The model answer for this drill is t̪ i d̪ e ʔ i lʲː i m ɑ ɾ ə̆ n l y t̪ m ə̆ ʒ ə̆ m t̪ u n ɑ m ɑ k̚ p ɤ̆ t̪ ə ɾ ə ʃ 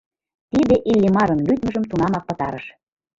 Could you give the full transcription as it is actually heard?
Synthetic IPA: t̪ i d̪ e ʔ i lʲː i m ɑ ɾ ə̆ n l y t̪ m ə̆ ʒ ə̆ m t̪ u n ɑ m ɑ k̚ p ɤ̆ t̪ ɑ ɾ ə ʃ